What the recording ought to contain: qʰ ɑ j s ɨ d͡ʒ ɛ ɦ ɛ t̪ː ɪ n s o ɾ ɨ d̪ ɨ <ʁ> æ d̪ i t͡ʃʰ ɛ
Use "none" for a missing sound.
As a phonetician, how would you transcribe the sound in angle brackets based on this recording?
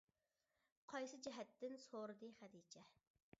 χ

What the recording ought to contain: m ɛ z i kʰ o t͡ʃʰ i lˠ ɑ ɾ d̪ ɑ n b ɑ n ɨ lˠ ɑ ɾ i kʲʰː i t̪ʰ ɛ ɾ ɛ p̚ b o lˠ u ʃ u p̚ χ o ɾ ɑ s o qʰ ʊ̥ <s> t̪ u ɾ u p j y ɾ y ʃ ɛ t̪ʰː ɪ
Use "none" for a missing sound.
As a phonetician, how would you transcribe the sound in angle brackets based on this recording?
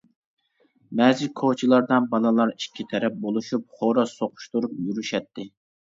ʃ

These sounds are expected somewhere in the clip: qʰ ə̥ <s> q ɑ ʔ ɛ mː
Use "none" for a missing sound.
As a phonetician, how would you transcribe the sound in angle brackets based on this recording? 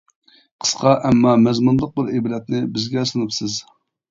s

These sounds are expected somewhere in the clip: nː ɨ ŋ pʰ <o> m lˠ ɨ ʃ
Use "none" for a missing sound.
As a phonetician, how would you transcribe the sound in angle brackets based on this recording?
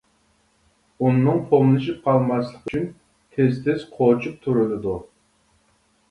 o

